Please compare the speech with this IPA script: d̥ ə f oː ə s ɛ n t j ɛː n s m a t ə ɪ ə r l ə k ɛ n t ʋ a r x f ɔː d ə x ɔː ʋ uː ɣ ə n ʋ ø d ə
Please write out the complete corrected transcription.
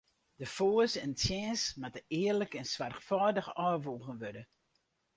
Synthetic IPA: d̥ ə f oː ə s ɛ n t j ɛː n s m a t ə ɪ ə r l ə k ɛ n s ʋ a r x f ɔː d ə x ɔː ʋ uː ɣ ə n ʋ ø d ə